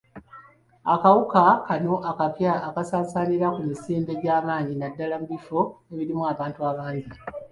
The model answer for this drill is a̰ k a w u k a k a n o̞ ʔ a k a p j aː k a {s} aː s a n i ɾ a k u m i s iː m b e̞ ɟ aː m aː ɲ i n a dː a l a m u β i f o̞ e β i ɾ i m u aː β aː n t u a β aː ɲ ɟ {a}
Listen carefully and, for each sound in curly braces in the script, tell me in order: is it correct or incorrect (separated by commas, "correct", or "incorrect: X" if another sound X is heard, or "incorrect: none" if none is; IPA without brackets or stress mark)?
correct, incorrect: i